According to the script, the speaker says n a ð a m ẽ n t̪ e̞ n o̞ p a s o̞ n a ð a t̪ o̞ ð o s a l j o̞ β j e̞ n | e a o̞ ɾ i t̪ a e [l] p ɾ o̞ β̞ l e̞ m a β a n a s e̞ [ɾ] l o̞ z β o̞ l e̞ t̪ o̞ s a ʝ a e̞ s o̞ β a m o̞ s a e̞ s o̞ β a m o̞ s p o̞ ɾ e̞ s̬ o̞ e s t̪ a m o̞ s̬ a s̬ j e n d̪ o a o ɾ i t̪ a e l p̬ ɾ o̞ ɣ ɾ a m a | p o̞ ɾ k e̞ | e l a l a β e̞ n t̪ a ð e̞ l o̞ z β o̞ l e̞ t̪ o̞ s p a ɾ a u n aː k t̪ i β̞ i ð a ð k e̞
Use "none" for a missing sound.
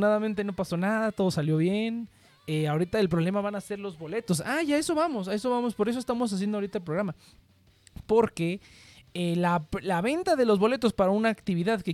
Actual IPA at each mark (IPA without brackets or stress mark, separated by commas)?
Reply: l, ɾ